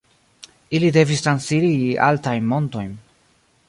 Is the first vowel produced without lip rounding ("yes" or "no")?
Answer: yes